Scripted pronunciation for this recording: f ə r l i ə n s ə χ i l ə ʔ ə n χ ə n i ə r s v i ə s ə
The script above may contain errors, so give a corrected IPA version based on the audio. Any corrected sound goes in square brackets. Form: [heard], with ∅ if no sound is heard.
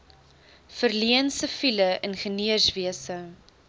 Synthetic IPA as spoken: f ə r l i ə n s ə [f] i l ə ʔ ə n χ ə n i ə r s v i ə s ə